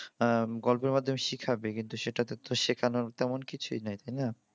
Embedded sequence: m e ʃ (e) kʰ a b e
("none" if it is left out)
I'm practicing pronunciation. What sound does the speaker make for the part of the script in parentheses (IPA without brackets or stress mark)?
i